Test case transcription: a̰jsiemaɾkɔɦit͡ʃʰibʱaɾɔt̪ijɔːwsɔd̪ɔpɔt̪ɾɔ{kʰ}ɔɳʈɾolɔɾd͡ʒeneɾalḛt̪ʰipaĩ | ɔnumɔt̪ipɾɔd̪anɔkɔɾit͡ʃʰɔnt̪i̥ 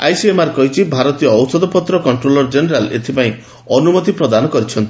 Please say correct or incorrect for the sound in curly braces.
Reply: incorrect